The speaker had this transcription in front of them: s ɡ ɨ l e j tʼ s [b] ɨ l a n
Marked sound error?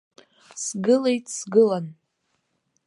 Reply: yes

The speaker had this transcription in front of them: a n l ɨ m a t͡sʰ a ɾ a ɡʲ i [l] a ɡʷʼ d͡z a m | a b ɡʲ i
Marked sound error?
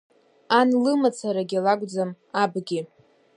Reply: no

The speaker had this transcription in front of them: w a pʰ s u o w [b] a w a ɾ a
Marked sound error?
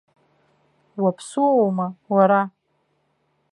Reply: yes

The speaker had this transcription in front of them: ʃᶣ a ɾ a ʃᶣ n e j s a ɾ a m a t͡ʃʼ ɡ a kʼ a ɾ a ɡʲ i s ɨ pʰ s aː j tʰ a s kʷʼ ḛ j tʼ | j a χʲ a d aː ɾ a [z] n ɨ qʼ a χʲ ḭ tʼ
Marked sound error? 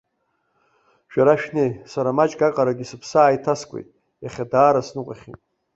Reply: yes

